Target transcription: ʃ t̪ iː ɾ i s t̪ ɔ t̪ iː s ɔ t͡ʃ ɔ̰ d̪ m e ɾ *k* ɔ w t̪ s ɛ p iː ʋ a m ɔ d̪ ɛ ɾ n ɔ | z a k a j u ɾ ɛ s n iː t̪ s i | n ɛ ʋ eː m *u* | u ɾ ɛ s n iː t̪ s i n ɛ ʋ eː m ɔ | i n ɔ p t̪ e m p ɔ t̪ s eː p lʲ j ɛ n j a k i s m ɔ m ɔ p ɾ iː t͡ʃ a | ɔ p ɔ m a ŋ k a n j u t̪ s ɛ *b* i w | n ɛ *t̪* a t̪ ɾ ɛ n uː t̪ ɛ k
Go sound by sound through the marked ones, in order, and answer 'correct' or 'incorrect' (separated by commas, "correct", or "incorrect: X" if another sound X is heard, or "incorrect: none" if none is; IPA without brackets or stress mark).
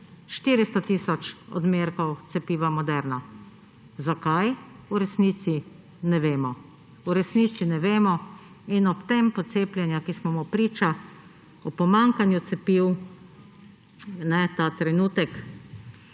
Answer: correct, incorrect: ɔ, incorrect: p, correct